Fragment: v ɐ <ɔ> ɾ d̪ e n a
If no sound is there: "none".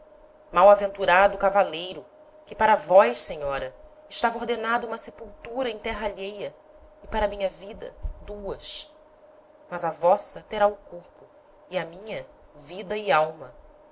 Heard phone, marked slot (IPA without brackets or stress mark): o